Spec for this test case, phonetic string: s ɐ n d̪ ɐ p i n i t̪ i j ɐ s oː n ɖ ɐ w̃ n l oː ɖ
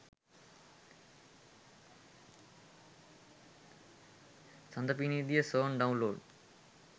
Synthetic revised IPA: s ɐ n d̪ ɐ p i n i d̪ i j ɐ s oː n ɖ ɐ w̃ n l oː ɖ

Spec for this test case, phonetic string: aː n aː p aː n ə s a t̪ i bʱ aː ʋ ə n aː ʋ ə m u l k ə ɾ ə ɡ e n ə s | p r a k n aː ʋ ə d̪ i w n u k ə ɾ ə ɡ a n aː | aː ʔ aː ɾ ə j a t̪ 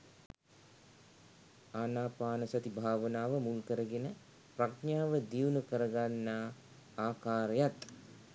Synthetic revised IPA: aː n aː p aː n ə s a t̪ i bʱ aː ʋ ə n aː ʋ ə m u l k ə ɾ ə ɡ e n ə | p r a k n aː ʋ ə d̪ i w n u k ə ɾ ə ɡ a nː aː | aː k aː ɾ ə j a t̪

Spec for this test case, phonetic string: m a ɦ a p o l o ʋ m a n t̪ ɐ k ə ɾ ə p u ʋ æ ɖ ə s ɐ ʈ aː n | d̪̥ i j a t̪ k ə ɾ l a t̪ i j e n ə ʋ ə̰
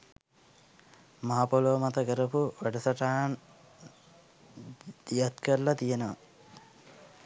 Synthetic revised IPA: m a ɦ a p o l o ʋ m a t̪ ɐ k ə ɾ ə p u ʋ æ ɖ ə s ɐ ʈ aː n | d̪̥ i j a t̪ k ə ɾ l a t̪ i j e n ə ʋ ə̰

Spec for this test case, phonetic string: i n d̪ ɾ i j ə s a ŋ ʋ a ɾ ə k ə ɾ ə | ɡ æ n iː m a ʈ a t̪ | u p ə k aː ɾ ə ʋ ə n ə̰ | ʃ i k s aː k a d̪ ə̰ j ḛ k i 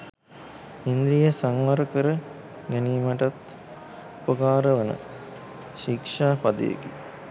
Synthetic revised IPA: i n d̪ ɾ i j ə s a ŋ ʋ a ɾ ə k ə ɾ ə | ɡ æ n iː m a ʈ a t̪ | u p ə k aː ɾ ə ʋ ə n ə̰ | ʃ i k ʂ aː p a d̪ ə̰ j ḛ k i

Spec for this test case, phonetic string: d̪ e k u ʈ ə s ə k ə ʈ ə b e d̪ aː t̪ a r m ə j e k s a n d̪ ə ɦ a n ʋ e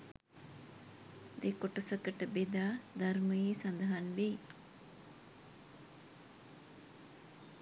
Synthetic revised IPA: d̪ e k o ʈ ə s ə k ə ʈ ə b e d̪ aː d̪ a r m ə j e s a n d̪ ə ɦ a n ʋ e

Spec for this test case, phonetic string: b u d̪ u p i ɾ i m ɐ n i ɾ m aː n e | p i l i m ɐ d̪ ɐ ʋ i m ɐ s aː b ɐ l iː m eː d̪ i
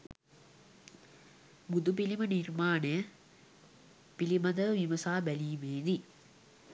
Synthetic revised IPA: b u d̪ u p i l i m ɐ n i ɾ m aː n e | p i l i m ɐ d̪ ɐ ʋ i m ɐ s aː b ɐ l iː m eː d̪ i

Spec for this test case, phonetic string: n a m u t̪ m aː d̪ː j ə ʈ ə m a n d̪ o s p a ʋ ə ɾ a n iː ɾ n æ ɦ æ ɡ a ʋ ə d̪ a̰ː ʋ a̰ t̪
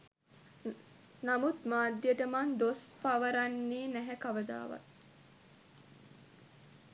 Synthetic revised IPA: n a m u t̪ m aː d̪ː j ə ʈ ə m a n d̪ o s p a ʋ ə ɾ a nː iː n æ ɦ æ k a ʋ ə d̪ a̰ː ʋ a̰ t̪

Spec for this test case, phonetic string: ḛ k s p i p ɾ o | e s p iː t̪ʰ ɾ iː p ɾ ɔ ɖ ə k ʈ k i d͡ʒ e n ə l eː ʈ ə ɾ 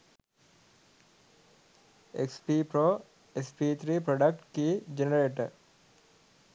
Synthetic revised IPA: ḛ k s p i p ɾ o | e s p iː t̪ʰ ɾ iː p ɾ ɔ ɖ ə k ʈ k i d͡ʒ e n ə ɾ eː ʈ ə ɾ

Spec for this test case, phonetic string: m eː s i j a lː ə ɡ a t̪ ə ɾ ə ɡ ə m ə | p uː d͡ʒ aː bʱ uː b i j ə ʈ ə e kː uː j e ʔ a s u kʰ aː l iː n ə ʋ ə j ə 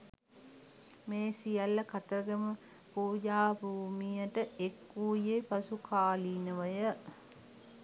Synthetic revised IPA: m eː s i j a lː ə k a t̪ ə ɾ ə ɡ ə m ə | p uː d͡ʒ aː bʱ uː m i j ə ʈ ə e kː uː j e p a s u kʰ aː l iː n ə ʋ ə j ə

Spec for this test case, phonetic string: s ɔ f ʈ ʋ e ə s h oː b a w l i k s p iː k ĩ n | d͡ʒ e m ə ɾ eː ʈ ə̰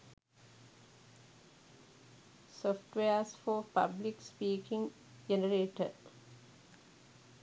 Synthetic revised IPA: s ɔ f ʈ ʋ e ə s f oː p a b l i k s p iː k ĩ ŋ | d͡ʒ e n ə ɾ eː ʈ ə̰

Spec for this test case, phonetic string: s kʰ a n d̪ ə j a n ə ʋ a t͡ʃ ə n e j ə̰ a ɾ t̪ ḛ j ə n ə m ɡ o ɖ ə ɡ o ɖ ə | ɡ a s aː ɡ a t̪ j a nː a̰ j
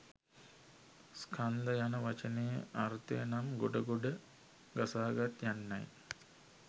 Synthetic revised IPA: s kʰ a n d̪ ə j a n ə ʋ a t͡ʃ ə n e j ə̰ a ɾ t̪ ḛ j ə n a m ɡ o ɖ ə ɡ o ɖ ə | ɡ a s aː ɡ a t̪ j a nː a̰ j

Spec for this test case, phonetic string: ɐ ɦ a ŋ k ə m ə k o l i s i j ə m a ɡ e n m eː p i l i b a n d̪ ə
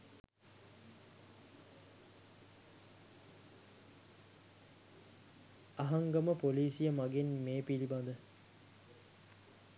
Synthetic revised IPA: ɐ ɦ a ŋ ɡ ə m ə p o l iː s i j ə m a ɡ e n m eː p i l i b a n d̪ ə

